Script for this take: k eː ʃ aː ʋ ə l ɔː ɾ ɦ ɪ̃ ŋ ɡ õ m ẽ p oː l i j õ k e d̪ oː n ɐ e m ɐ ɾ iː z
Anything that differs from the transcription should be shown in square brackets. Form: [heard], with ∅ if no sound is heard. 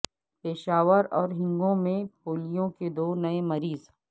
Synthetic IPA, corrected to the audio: [p] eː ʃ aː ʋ ə [ɾ] ɔː ɾ ɦ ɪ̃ ŋ ɡ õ m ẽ p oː l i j õ k e d̪ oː n ɐ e m ɐ ɾ iː z